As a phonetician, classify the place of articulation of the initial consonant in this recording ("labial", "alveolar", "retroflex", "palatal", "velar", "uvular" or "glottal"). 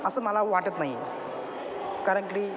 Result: alveolar